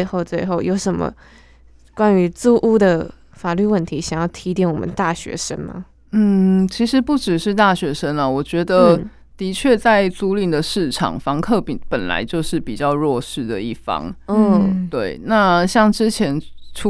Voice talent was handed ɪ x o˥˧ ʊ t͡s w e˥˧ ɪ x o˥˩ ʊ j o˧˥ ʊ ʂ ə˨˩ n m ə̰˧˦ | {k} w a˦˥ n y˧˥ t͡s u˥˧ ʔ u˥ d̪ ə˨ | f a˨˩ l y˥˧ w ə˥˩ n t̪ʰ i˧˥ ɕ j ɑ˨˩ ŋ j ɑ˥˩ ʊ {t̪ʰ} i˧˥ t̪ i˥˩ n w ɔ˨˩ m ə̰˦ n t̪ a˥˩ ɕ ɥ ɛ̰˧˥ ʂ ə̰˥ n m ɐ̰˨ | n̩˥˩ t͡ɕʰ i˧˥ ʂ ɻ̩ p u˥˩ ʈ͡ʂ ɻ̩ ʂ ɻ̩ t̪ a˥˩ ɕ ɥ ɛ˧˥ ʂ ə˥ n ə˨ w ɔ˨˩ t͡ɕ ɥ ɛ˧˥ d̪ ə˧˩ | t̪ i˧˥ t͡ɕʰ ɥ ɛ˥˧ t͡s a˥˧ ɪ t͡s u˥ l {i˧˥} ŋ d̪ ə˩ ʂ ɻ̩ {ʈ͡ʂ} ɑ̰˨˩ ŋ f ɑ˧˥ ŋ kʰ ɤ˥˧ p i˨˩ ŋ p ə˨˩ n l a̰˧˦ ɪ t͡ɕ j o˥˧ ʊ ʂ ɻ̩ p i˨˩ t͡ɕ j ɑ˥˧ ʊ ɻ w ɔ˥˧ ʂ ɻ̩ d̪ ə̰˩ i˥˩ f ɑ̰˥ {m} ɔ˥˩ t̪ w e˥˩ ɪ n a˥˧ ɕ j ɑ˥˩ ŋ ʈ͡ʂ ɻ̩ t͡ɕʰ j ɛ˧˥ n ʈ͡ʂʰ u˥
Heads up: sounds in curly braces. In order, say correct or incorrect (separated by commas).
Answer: correct, correct, incorrect, incorrect, incorrect